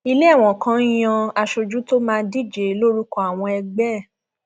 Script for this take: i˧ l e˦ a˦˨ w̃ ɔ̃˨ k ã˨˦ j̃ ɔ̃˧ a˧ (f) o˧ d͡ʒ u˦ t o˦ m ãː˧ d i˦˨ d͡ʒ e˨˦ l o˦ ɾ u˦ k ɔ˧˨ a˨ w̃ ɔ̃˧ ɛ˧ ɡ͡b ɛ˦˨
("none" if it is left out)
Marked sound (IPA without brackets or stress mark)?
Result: ʃ